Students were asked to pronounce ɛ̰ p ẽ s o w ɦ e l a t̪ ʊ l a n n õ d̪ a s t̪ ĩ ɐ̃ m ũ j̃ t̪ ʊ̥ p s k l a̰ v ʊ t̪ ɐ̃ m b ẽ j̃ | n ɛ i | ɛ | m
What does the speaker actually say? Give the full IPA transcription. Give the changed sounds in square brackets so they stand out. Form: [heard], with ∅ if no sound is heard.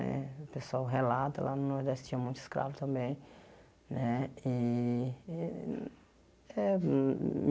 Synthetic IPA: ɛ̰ p [e] s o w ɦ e l a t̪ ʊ l a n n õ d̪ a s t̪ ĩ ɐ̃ m ũ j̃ t̪ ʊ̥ [∅] s k [ɾ] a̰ v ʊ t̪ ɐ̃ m b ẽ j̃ | n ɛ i | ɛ | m